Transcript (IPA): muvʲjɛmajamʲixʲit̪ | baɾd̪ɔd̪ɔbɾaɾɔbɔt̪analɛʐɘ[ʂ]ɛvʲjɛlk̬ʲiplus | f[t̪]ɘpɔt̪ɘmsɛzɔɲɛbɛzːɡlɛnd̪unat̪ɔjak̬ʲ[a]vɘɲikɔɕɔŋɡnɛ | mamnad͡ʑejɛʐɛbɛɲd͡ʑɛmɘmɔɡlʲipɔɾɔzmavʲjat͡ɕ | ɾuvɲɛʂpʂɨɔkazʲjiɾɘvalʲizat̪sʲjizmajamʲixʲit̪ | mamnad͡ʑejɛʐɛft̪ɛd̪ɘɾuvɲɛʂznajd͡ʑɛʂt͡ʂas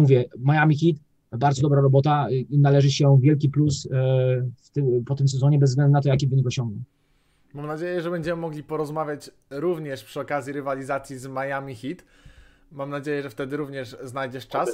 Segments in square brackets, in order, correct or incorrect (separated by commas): incorrect, correct, incorrect